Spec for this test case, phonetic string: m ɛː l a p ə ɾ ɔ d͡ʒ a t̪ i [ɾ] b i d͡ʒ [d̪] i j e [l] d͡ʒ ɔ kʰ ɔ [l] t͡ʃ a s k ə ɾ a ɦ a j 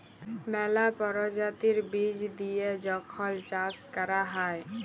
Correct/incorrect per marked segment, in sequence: correct, correct, incorrect, correct

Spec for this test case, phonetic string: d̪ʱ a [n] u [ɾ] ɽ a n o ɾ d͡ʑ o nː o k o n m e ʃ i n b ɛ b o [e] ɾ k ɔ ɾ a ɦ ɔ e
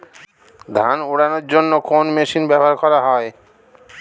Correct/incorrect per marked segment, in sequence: correct, incorrect, incorrect

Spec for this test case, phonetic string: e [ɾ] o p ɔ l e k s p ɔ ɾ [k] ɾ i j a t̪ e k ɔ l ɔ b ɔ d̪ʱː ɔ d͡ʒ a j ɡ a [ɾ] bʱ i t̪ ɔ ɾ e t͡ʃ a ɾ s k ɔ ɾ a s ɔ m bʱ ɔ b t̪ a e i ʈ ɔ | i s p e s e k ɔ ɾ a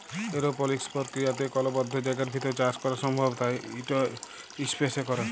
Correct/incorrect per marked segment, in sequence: correct, correct, correct

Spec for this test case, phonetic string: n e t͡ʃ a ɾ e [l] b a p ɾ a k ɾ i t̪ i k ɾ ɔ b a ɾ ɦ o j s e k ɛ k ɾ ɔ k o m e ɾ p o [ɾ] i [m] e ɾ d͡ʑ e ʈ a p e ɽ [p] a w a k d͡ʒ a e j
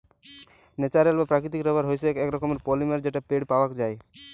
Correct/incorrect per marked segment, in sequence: correct, incorrect, correct, correct

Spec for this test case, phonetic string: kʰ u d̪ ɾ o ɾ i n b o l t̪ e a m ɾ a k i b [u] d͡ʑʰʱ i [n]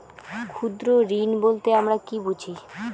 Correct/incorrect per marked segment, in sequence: correct, incorrect

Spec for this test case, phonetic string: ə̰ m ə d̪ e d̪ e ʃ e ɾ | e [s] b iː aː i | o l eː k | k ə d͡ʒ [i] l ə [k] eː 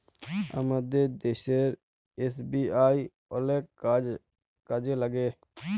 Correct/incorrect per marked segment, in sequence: correct, incorrect, incorrect

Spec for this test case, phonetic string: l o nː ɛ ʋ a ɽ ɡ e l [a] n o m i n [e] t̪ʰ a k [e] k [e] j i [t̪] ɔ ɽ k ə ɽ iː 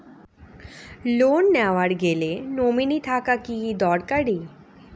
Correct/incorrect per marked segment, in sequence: incorrect, incorrect, incorrect, incorrect, incorrect

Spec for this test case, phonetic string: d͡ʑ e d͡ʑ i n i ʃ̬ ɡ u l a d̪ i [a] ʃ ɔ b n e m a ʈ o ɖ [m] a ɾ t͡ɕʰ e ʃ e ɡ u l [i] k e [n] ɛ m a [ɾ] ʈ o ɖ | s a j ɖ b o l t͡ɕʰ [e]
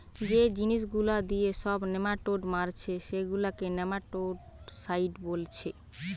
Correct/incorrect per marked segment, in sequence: incorrect, correct, incorrect, correct, incorrect, correct

